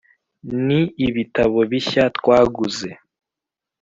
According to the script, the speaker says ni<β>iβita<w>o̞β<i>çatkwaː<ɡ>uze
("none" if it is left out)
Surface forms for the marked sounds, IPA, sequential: none, β, i, ɡ

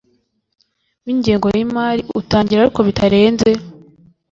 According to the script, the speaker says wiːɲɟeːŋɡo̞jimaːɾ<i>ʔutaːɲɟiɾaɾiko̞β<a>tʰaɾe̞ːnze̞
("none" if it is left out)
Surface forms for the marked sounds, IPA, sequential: i, i

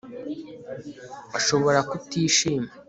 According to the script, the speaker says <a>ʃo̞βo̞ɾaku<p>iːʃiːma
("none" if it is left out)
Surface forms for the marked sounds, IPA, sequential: a, t

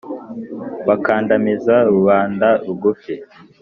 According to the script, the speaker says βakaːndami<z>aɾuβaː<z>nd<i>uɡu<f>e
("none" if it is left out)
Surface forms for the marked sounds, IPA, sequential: z, none, a, f

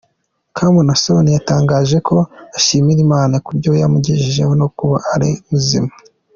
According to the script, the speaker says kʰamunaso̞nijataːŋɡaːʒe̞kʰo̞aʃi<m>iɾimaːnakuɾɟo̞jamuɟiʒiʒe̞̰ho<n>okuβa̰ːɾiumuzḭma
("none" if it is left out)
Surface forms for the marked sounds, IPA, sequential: m, n

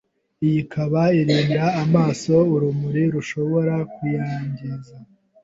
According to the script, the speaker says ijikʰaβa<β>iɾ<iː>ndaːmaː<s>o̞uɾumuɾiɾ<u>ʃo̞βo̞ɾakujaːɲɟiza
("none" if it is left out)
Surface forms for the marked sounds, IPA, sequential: none, iː, s, u

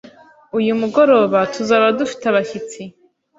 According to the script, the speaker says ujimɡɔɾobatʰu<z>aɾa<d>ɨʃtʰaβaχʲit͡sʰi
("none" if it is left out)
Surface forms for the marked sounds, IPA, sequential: z, d

